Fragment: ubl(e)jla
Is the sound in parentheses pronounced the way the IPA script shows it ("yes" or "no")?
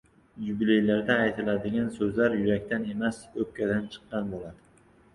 yes